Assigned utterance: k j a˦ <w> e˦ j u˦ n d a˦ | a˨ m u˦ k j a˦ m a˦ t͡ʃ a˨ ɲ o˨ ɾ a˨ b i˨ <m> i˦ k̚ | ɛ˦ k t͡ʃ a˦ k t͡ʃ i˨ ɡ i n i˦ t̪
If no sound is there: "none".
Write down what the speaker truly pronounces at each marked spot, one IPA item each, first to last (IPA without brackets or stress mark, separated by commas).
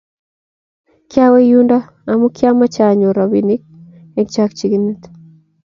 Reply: w, n